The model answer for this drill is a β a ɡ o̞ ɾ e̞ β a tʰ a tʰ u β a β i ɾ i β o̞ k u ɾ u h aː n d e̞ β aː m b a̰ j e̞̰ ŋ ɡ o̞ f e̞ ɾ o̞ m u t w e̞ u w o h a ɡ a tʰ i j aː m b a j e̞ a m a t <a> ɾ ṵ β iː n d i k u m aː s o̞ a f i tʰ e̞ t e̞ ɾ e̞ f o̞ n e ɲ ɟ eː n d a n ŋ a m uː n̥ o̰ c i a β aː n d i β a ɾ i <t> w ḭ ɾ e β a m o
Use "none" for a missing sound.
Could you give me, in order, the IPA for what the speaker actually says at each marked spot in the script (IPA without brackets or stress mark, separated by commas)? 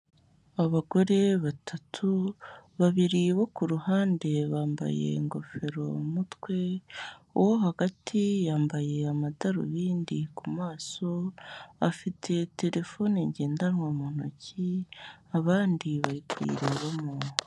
a, k